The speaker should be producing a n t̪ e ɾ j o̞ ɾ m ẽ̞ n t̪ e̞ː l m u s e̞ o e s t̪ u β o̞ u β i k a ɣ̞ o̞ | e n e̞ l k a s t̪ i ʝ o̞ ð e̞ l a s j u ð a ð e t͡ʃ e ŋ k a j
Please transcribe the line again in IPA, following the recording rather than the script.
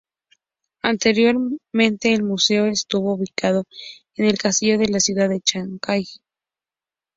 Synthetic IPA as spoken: a n t̪ e ɾ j o̞ ɾ m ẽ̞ n t̪ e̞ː l m u s e̞ o e s t̪ u β o̞ u β i k a ð̞ o̞ | e n e̞ l k a s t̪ i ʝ o̞ ð e̞ l a s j u ð a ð e t͡ʃ a ŋ k a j